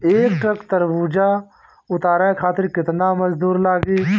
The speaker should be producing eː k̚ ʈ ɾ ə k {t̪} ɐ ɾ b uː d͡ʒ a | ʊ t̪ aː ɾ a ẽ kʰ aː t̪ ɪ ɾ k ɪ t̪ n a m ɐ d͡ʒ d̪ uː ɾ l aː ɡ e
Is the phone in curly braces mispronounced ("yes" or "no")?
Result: no